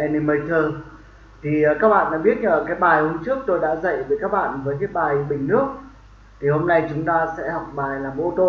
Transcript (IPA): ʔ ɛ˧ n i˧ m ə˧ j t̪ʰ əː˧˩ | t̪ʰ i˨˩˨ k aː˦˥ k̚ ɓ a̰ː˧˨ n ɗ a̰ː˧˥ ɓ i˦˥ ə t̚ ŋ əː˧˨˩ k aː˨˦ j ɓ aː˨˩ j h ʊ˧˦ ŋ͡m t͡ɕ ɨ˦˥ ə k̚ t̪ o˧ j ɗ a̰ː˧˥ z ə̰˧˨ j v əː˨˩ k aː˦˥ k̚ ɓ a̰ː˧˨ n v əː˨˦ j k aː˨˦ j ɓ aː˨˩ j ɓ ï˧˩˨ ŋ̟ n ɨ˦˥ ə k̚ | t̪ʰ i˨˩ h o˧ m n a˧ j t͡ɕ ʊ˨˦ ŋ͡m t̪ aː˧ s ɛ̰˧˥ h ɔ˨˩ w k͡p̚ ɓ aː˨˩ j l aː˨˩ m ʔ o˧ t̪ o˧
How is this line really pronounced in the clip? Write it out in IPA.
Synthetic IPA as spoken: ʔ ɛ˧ n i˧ m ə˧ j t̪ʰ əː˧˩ | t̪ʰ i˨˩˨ k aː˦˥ k̚ ɓ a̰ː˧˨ n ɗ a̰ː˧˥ ɓ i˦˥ ə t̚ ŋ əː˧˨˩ k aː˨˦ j ɓ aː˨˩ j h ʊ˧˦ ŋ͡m t͡ɕ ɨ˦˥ ə k̚ t̪ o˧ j ɗ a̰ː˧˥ z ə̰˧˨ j v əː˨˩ k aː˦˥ k̚ ɓ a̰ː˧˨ n v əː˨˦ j k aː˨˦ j ɓ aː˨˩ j ɓ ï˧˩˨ ŋ̟ n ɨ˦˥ ə k̚ | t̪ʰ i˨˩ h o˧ m n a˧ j t͡ɕ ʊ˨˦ ŋ͡m t̪ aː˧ s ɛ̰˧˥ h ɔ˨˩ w k͡p̚ ɓ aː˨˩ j l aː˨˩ m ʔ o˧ t̪ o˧